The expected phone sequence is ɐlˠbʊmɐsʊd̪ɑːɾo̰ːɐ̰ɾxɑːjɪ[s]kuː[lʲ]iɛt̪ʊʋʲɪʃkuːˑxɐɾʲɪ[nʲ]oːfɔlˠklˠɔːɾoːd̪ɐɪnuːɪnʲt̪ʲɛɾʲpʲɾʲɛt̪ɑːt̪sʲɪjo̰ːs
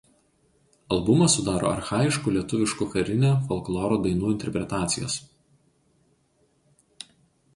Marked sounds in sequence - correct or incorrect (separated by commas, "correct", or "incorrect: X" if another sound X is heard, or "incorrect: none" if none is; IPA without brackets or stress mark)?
incorrect: ʃ, correct, correct